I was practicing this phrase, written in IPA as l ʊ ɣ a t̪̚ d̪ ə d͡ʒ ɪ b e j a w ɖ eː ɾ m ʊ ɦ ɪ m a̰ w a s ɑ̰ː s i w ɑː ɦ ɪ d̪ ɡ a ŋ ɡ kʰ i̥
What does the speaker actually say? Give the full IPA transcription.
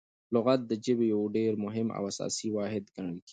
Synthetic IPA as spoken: l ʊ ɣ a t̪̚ d̪ ə d͡ʒ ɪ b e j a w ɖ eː ɾ m ʊ ɦ ɪ m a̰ w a s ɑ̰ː s i w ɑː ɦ ɪ d̪ ɡ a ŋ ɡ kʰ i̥